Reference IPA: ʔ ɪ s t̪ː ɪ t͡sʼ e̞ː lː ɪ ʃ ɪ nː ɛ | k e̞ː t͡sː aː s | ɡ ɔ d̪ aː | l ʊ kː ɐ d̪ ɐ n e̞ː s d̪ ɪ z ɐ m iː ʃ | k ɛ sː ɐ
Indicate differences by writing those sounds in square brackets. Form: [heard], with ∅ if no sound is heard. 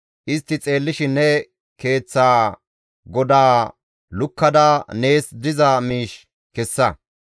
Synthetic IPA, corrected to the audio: ʔ ɪ s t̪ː ɪ t͡sʼ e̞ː lː ɪ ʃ ɪ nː ɛ | k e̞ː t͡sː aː [∅] | ɡ ɔ d̪ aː | l ʊ kː ɐ d̪ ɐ n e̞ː s d̪ ɪ z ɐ m iː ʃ | k ɛ sː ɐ